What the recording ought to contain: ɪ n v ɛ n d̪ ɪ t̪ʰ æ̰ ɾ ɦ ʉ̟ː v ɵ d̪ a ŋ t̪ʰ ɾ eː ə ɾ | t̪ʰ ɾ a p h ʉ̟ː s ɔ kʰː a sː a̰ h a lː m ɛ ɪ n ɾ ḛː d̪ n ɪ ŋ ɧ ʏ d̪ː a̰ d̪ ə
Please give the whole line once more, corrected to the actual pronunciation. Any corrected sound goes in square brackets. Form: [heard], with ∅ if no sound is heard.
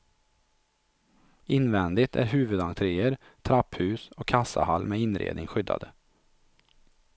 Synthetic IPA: ɪ n v ɛ n d̪ ɪ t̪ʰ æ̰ ɾ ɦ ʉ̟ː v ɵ d̪ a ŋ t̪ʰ ɾ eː ə ɾ | t̪ʰ ɾ a p h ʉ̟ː s ɔ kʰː a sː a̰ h a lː m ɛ ɪ n ɾ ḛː d̪ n ɪ ŋ ɧ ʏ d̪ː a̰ d̪ ə